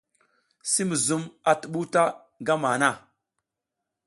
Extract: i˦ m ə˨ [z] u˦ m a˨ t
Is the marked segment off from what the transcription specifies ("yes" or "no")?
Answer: no